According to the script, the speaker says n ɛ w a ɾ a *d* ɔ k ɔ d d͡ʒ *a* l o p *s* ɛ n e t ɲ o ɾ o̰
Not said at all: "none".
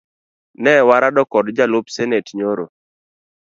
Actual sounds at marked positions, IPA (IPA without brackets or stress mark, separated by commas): d, a, s